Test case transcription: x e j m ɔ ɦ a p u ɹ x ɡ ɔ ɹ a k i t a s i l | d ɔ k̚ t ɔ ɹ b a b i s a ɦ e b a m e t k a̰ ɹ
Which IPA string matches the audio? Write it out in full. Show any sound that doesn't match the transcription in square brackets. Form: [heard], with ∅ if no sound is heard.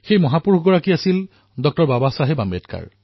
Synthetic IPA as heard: x e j m ɔ ɦ a p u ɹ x ɡ ɔ ɹ a k i [∅] a s i l | d ɔ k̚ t ɔ ɹ b a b [a] s a ɦ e b a m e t k a̰ ɹ